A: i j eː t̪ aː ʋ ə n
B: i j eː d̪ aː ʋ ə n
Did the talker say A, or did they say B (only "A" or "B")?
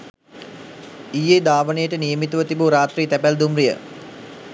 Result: B